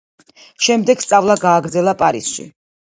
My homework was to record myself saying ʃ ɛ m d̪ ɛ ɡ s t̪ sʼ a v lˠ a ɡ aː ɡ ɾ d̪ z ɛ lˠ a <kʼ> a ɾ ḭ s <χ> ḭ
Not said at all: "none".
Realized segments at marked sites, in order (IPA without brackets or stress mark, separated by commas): pʼ, ʃ